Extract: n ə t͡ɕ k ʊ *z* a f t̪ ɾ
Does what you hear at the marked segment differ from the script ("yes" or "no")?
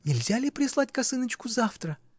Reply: no